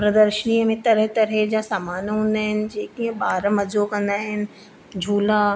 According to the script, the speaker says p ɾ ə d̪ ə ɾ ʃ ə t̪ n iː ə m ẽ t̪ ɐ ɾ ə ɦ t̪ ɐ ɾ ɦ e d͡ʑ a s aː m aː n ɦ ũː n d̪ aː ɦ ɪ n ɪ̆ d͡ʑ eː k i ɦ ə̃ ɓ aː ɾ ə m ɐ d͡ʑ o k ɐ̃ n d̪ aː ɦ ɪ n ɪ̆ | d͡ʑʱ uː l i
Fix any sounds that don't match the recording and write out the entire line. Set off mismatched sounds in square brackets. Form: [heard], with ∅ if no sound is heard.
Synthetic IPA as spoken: p ɾ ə d̪ ə ɾ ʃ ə [∅] n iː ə m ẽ t̪ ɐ ɾ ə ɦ t̪ ɐ ɾ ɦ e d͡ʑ a s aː m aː n ɦ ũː n d̪ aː ɦ ɪ n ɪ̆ d͡ʑ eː k i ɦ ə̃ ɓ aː ɾ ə m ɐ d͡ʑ o k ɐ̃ n d̪ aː ɦ ɪ n ɪ̆ | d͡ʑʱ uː l [a]